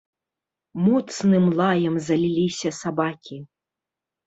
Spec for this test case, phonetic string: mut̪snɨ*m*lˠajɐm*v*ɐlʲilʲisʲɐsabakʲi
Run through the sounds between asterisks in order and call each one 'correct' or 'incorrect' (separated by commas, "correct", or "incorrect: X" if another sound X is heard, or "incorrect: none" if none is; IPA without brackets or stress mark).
correct, incorrect: z